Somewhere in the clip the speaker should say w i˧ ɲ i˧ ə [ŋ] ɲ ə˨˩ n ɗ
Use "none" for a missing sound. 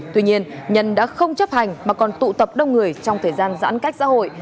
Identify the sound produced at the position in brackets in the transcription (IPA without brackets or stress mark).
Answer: n